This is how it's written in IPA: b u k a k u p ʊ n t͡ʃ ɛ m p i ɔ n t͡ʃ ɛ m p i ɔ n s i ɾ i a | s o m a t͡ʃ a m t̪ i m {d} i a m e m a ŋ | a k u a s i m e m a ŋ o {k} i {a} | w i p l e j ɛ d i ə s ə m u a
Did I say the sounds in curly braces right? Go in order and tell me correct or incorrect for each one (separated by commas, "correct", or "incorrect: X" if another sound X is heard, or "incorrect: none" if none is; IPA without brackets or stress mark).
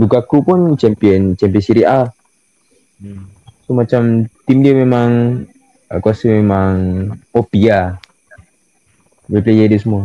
correct, incorrect: p, correct